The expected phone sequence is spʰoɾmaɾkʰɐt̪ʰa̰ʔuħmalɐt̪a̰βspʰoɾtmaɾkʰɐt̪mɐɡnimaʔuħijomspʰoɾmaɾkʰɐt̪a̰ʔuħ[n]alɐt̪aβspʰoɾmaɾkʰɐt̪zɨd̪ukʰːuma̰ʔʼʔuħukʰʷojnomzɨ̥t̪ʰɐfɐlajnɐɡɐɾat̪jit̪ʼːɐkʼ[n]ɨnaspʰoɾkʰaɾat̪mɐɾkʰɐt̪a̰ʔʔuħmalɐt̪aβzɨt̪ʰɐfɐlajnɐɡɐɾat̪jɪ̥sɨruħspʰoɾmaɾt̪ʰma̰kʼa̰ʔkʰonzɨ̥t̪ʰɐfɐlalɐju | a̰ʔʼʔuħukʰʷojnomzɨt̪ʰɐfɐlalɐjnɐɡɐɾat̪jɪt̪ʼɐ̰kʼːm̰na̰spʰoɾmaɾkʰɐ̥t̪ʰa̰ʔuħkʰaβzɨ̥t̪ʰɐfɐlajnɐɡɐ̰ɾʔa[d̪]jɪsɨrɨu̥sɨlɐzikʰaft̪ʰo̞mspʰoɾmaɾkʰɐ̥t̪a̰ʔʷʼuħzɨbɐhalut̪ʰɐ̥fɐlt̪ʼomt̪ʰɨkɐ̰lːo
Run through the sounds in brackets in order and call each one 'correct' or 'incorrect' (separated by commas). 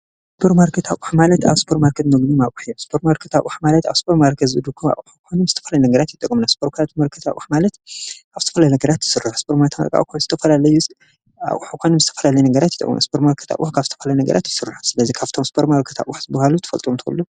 incorrect, incorrect, incorrect